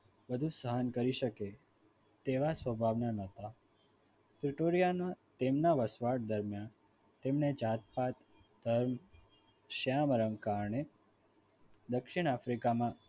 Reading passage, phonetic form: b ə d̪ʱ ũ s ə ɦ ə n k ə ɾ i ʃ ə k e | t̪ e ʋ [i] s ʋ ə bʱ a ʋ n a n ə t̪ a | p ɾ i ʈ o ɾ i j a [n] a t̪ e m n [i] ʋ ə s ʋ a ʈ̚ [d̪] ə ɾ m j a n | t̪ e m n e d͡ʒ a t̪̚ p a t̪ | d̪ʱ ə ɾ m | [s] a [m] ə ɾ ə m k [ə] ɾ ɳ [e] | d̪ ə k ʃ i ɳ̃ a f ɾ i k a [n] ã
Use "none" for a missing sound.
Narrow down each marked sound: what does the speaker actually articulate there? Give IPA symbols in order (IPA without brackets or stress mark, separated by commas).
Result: a, n, a, d̪, ʃ, m, a, e, m